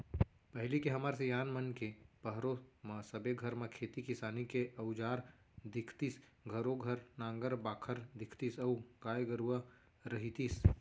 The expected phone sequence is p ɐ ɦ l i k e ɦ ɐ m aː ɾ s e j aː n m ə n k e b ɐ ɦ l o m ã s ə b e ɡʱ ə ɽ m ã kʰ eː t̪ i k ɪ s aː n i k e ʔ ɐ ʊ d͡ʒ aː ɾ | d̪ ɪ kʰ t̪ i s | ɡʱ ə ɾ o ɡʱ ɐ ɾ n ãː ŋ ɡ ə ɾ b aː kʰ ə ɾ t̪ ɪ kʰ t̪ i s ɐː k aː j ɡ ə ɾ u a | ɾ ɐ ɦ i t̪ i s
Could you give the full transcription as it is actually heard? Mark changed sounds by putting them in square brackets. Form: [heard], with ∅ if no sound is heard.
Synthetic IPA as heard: p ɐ ɦ l i k e ɦ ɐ m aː ɾ s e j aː n m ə n k e [p] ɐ ɦ [ɾ] o m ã s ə b e ɡʱ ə [ɾ] m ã kʰ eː t̪ i k ɪ s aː n i k e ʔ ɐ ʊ d͡ʒ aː ɾ | d̪ ɪ kʰ t̪ i s | ɡʱ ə ɾ o ɡʱ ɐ ɾ n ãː ŋ ɡ ə ɾ b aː kʰ ə ɾ [d̪] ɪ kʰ t̪ i s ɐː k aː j ɡ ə ɾ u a | ɾ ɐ ɦ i t̪ i s